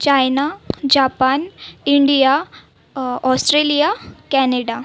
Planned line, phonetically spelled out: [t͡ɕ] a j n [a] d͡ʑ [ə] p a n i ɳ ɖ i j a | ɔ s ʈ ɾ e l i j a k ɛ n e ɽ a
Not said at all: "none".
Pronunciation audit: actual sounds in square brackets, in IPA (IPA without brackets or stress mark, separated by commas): t͡ɕ, a, a